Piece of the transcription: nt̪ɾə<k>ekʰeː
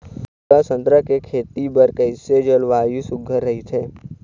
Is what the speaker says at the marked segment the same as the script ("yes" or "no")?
yes